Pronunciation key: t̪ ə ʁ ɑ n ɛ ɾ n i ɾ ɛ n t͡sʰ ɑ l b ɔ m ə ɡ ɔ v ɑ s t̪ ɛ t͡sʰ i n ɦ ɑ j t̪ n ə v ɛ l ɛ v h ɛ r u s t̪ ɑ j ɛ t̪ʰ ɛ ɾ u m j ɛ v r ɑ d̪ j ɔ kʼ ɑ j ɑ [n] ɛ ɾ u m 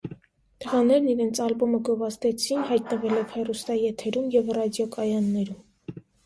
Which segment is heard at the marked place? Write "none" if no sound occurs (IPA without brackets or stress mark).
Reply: nː